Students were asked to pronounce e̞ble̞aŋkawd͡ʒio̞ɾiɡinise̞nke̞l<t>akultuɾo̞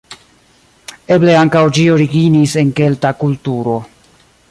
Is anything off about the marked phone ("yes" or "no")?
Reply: no